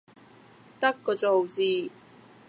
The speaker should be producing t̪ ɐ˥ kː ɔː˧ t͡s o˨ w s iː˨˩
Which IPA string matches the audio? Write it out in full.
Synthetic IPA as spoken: t̪ ɐ˥ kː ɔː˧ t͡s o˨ w t͡s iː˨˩